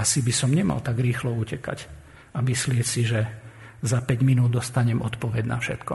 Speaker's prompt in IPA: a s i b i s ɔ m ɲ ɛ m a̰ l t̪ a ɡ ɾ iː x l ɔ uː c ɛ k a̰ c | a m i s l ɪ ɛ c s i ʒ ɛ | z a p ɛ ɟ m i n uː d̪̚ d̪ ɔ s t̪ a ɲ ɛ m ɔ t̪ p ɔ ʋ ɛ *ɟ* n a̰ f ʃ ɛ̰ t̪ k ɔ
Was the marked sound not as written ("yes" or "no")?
no